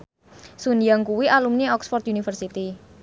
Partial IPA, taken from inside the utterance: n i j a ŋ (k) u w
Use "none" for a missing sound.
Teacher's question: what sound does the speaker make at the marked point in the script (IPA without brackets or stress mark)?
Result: k